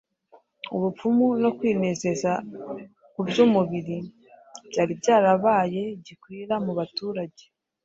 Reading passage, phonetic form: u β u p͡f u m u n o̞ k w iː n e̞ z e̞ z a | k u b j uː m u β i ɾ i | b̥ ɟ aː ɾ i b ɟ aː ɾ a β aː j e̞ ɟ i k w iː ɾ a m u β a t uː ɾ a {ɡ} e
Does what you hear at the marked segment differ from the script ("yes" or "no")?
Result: yes